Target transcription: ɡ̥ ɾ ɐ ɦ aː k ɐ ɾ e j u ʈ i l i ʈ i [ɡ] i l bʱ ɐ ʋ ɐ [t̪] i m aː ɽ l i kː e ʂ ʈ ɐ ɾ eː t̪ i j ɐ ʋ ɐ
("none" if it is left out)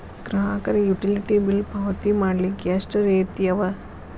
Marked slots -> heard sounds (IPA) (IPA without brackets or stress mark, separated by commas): b, t̪